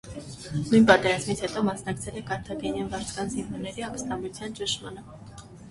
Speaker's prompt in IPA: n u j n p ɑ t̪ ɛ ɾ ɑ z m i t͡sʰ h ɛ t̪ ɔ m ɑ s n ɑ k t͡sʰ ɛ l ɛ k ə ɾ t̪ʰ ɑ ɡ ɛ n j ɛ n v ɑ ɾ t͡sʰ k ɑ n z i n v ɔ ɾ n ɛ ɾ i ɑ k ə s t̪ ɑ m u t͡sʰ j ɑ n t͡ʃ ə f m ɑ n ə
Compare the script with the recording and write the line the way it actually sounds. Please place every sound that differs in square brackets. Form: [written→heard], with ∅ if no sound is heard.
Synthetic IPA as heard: n u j n p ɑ t̪ ɛ ɾ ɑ z m i t͡sʰ h ɛ t̪ ɔ m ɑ s n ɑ k t͡sʰ ɛ l ɛ k [ə→ɑ] ɾ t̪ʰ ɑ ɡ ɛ n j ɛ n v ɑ ɾ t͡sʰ k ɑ n z i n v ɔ ɾ n ɛ ɾ i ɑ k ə s t̪ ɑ m u t͡sʰ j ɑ n t͡ʃ ə [f→ʃ] m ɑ n ə

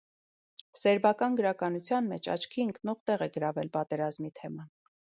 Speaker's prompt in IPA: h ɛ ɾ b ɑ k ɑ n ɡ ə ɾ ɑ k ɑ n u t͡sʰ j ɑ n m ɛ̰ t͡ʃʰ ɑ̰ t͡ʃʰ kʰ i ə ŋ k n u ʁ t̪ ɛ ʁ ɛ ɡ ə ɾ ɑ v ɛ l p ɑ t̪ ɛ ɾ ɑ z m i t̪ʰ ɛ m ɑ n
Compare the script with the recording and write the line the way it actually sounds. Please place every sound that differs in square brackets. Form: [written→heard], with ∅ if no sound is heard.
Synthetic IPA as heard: [h→s] ɛ ɾ b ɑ k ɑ n ɡ ə ɾ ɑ k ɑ n u t͡sʰ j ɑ n m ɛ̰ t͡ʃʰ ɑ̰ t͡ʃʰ kʰ i ə ŋ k n [u→ɔ] ʁ t̪ ɛ ʁ ɛ ɡ ə ɾ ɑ v ɛ l p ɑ t̪ ɛ ɾ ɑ z m i t̪ʰ ɛ m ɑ n

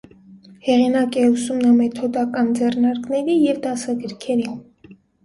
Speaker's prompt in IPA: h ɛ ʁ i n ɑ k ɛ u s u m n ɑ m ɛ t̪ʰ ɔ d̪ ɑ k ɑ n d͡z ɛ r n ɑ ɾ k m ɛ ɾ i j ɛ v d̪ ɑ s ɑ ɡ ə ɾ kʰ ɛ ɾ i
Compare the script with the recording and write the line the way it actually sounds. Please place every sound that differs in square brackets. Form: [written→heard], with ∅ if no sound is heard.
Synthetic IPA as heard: h ɛ ʁ i n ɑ k ɛ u s u m n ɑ m ɛ t̪ʰ ɔ d̪ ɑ k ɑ n d͡z ɛ r n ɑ ɾ k [m→n] ɛ ɾ i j ɛ v d̪ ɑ s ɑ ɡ ə ɾ kʰ ɛ ɾ i

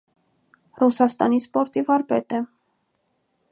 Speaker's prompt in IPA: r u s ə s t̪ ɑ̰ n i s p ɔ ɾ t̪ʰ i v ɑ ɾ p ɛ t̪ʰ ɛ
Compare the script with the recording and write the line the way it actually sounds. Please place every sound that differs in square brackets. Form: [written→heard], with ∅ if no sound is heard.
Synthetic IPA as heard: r u s [ə→ɑ] s t̪ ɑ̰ n i s p ɔ ɾ [t̪ʰ→t̪] i v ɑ ɾ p ɛ [t̪ʰ→t̪] ɛ

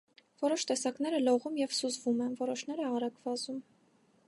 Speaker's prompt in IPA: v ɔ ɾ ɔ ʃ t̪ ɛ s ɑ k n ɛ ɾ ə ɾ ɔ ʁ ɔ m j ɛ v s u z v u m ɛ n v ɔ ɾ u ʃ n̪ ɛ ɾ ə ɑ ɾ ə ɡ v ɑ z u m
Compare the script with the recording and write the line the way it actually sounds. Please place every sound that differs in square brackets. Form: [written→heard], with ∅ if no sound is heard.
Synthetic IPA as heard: v ɔ ɾ ɔ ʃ t̪ ɛ s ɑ k n ɛ ɾ ə [ɾ→l] ɔ ʁ [ɔ→u] m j ɛ v s u z v u m ɛ n v ɔ ɾ [u→ɔ] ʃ n̪ ɛ ɾ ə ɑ ɾ [ə→ɑ] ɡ v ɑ z u m

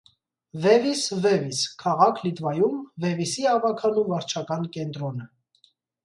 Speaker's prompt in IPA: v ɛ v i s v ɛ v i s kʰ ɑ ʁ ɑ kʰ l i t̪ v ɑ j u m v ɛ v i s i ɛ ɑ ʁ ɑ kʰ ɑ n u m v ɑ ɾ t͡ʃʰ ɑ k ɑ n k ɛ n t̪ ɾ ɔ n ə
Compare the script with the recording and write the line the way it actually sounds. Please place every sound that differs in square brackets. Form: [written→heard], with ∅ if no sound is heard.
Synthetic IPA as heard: v ɛ v i s v ɛ v i s kʰ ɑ ʁ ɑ kʰ l i t̪ v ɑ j u m v ɛ v i s i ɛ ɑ [ʁ→v] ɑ kʰ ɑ n u m v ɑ ɾ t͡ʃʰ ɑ k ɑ n k ɛ n t̪ ɾ ɔ n ə

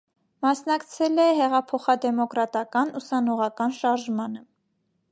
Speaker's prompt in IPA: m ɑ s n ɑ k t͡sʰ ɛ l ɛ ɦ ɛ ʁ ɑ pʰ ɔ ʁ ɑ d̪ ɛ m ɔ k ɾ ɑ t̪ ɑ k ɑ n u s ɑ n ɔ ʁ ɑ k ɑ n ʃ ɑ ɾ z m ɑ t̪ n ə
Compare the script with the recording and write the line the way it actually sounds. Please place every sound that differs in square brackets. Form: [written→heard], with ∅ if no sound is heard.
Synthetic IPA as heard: m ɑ s n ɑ k t͡sʰ ɛ l ɛ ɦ ɛ ʁ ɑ pʰ ɔ [ʁ→χ] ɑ d̪ ɛ m ɔ k ɾ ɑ t̪ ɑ k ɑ n u s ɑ n ɔ ʁ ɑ k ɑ n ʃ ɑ ɾ [z→ʒ] m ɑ [t̪→∅] n ə

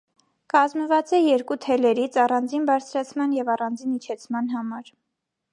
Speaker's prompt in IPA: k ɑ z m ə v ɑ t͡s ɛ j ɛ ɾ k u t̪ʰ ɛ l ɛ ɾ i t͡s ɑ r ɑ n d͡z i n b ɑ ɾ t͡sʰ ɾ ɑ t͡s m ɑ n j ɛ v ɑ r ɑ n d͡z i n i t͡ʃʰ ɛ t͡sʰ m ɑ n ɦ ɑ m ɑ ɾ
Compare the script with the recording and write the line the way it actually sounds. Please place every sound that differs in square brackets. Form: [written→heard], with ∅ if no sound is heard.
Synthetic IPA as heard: k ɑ z m ə v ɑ t͡s ɛ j ɛ ɾ k u t̪ʰ ɛ l ɛ ɾ i [t͡s→t͡sʰ] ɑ r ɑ n d͡z i n b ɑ ɾ t͡sʰ ɾ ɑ [t͡s→t͡sʰ] m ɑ n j ɛ v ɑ r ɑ n d͡z i n i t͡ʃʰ ɛ t͡sʰ m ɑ n ɦ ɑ m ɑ ɾ

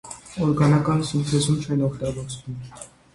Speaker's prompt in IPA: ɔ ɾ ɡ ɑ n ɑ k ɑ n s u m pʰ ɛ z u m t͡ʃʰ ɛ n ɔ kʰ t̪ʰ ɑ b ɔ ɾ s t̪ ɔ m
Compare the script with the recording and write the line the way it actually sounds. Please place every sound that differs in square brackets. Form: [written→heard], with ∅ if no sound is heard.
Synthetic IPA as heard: ɔ ɾ ɡ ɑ n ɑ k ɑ n s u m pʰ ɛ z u m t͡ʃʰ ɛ n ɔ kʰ [t̪ʰ→t̪] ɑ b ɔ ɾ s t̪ [ɔ→u] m

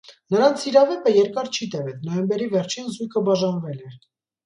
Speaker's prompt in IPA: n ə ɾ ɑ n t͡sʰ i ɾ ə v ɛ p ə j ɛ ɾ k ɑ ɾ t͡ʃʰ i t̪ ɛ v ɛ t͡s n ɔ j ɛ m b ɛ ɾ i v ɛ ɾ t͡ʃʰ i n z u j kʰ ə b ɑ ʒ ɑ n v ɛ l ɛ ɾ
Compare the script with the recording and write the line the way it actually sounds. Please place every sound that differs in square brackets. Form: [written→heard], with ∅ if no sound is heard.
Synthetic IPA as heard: n ə ɾ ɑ n t͡sʰ i ɾ [ə→ɑ] v ɛ p ə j ɛ ɾ k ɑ ɾ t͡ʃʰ i t̪ ɛ v ɛ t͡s n ɔ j ɛ m b ɛ ɾ i v ɛ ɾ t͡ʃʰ i n z u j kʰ ə b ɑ ʒ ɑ n v ɛ l ɛ ɾ

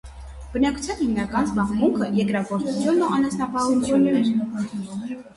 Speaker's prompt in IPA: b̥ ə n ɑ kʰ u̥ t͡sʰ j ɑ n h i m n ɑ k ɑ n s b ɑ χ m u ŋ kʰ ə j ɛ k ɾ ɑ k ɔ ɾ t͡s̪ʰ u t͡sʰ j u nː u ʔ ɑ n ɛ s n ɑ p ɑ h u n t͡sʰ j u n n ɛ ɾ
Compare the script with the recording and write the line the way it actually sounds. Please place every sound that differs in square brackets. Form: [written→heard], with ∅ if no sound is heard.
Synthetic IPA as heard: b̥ ə n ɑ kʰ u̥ t͡sʰ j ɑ n h i m n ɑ k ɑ n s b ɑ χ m u ŋ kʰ ə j ɛ k ɾ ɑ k ɔ ɾ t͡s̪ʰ u t͡sʰ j u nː u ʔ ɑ n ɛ s n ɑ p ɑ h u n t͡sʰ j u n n ɛ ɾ

